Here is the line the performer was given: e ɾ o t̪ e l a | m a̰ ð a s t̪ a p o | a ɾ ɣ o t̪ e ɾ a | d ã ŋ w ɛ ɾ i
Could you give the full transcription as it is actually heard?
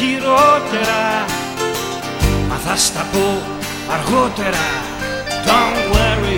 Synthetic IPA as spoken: i ɾ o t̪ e ɾ a | m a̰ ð a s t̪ a p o | a ɾ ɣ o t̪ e ɾ a | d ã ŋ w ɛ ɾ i